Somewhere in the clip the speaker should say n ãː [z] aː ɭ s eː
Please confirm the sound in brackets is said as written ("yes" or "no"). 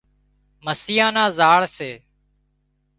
yes